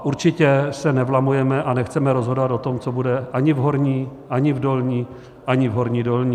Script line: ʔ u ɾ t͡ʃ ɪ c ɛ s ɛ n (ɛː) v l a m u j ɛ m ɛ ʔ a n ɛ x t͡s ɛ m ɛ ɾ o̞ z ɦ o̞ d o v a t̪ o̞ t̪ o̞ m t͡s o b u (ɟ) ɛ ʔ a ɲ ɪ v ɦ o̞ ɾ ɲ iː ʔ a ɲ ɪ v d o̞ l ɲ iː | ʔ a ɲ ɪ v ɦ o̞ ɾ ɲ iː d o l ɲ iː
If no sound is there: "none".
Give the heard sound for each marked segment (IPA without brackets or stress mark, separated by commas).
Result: ɛ, d